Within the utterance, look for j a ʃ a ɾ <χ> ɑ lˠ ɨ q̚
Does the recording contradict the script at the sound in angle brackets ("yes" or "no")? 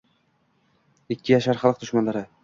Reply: no